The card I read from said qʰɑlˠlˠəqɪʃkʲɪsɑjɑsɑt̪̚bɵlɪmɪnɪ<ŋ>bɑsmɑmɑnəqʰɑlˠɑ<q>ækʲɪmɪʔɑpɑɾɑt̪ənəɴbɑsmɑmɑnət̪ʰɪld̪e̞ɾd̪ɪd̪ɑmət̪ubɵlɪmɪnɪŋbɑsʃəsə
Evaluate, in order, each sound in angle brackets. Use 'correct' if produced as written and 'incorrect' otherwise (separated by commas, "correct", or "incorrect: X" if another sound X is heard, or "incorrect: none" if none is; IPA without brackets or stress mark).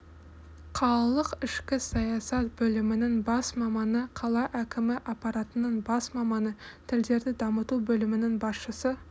correct, incorrect: ʔ